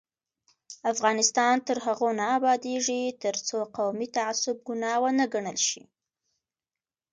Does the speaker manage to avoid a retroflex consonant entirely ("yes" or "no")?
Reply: no